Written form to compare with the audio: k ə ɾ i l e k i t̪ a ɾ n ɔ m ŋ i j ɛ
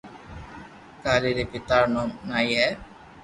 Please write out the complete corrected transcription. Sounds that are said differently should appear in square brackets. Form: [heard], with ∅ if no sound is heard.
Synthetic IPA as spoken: k [a] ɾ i [ɾ] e [p] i t̪ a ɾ n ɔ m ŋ [a] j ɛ